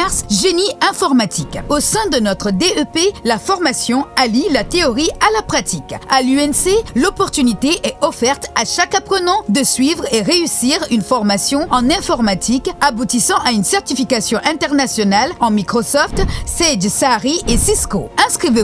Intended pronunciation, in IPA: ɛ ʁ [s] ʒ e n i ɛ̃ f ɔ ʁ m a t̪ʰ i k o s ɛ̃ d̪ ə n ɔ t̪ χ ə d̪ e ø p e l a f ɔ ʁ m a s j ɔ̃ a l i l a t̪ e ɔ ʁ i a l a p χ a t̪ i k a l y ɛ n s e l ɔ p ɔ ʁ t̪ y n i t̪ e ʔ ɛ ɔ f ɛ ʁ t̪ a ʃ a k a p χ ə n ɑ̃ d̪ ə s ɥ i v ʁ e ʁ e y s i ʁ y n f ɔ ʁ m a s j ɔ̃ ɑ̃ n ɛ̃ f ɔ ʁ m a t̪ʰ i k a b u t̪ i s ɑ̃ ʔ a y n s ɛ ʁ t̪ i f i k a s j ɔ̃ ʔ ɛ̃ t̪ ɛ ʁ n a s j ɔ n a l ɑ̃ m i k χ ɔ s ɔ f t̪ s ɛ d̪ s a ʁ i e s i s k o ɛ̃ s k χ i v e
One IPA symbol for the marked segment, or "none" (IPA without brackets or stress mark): s